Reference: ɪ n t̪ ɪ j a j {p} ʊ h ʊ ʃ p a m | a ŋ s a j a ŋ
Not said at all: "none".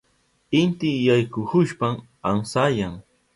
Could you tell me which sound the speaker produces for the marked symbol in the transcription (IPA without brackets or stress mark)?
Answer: k